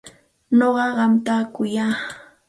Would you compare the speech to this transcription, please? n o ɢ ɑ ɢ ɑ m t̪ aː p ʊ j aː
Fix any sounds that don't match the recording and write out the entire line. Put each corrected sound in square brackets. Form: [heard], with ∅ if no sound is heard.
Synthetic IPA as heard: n o ɢ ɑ ɢ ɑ m t̪ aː [k] ʊ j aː